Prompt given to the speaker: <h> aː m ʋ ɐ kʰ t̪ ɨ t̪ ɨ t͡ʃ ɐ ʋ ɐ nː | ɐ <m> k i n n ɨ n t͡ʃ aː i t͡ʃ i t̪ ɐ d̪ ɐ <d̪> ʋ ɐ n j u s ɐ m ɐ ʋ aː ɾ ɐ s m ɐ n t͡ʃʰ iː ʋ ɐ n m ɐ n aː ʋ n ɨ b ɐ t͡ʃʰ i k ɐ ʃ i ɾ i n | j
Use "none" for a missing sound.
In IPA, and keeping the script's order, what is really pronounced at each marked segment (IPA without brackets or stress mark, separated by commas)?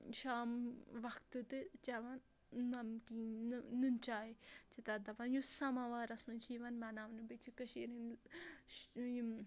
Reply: ʃ, m, none